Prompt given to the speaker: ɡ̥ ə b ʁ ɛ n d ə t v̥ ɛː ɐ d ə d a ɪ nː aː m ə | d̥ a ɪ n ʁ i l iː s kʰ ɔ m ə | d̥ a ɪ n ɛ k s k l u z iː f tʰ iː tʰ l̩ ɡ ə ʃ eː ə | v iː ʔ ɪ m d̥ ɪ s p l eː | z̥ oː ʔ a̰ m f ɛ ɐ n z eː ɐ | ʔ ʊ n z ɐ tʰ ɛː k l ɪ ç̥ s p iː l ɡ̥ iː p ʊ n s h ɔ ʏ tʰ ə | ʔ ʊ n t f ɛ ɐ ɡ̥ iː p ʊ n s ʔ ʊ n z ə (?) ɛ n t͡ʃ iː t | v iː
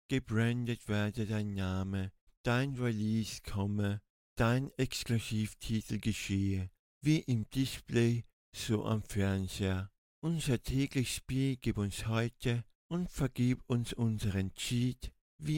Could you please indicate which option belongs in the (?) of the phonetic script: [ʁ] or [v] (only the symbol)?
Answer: ʁ